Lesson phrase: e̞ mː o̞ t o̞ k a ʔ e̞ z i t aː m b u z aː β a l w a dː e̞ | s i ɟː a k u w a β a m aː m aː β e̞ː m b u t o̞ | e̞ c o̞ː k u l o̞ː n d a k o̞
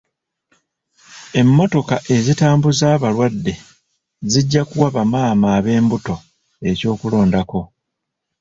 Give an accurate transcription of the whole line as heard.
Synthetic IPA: e̞ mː o̞ t o̞ k a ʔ e̞ z i t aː m b u z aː β a l w a dː e̞ | z i ɟː a k u w a β a m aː m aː β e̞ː m b u t o̞ | e̞ c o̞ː k u l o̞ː n d a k o̞